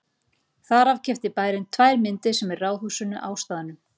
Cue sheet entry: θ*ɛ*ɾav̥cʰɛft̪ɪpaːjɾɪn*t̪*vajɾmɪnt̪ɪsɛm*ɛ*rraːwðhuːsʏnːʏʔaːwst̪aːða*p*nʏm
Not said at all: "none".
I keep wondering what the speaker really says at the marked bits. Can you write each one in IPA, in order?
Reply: a, t̪ʰ, ɛ, none

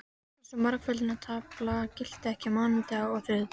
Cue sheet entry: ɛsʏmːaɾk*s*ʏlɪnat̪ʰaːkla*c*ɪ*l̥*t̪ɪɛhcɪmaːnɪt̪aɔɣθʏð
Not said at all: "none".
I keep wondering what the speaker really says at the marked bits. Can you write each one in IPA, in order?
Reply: f, c, l̥

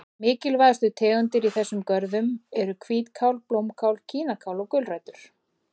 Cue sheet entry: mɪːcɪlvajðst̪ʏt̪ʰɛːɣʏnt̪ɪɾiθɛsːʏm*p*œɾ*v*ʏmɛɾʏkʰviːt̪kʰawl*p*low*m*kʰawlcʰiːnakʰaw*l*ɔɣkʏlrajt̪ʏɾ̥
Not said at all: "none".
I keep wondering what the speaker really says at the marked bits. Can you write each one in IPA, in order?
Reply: k, ð, p, m, l

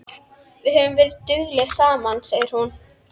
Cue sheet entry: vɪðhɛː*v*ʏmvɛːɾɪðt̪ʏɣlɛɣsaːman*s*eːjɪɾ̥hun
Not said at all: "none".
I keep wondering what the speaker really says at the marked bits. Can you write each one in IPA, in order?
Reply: v, s

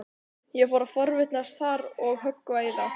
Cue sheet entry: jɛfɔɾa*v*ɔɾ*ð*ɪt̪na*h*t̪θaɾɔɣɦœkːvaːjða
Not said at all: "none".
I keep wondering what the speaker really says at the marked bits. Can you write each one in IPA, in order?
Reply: f, v, s

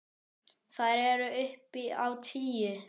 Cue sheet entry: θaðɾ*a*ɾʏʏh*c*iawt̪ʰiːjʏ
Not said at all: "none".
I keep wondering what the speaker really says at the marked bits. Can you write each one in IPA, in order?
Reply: ɛ, p

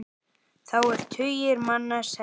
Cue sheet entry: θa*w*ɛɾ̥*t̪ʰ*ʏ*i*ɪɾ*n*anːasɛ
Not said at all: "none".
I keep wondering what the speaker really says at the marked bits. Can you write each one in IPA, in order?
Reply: w, t̪ʰ, j, m

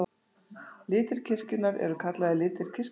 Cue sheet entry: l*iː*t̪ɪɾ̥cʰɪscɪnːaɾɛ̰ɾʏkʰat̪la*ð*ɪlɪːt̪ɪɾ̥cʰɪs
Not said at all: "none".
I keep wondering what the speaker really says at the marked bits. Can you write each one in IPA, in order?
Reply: ɪː, ð

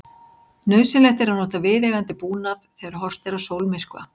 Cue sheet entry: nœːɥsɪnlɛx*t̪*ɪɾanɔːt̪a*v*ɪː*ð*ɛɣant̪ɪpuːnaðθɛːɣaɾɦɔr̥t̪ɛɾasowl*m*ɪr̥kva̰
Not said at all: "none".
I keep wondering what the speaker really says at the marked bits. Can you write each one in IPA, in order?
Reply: t̪, v, ð, m

